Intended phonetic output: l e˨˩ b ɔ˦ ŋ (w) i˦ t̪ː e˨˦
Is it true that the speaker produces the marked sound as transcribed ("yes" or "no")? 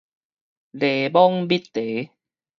no